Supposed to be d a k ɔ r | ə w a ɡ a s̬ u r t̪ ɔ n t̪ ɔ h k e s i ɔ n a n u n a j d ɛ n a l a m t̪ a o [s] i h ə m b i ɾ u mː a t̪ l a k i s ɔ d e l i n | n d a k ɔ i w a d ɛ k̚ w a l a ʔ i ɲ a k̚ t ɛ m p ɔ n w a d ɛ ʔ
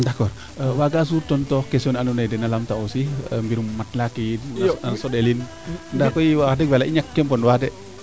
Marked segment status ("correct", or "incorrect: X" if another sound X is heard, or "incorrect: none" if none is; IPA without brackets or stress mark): correct